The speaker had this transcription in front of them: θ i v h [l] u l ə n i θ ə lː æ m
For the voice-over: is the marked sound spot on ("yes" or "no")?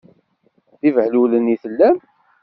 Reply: yes